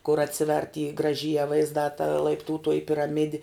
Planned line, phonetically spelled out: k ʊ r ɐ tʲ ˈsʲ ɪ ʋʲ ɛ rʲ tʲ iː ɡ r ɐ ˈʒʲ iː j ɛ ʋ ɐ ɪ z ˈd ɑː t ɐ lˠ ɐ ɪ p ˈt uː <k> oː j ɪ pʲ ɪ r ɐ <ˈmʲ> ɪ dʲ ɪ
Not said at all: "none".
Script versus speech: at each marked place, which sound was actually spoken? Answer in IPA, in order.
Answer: t, mʲ

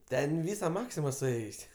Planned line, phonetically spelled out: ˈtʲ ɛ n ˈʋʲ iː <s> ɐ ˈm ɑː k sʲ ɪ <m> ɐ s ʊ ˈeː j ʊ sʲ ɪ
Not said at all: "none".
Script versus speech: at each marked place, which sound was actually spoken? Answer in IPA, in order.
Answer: s, m

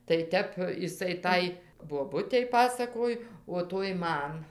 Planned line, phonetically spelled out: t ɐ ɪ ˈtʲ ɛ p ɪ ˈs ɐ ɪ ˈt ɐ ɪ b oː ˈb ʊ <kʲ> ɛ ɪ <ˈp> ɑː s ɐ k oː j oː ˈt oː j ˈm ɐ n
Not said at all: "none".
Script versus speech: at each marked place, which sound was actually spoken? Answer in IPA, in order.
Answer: tʲ, p

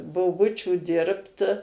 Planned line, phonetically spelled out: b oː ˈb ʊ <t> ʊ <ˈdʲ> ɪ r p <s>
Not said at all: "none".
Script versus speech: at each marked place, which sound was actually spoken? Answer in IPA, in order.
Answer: t͡ʃʲ, dʲ, t

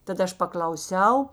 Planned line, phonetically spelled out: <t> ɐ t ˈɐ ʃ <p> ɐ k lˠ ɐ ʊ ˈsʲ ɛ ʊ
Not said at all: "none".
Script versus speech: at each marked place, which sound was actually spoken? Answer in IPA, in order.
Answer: t, p

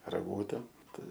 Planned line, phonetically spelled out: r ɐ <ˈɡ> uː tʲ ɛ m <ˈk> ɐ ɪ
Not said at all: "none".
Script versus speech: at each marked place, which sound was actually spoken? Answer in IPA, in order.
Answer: ɡ, t

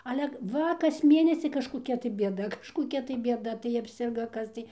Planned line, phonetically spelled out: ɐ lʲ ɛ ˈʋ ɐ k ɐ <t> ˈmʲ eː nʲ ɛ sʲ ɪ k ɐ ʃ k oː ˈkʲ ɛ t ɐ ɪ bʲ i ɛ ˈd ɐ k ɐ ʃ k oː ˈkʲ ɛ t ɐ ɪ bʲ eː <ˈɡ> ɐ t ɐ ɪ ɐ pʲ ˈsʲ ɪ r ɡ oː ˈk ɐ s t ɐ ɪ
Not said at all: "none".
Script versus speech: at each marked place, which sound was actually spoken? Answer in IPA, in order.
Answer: s, d

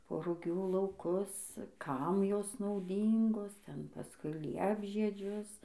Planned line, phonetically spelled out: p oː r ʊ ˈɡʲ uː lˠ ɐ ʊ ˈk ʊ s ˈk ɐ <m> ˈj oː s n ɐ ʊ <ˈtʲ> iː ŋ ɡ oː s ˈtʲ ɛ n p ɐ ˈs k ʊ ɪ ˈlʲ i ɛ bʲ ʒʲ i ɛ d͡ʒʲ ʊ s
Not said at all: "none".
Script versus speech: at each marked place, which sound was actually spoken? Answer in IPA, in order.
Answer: m, dʲ

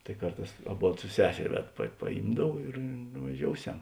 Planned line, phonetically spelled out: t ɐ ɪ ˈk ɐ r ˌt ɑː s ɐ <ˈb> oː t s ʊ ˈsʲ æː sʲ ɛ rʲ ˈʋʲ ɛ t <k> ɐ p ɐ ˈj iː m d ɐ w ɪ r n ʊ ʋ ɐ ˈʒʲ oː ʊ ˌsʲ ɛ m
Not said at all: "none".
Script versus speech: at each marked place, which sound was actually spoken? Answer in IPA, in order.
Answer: b, p

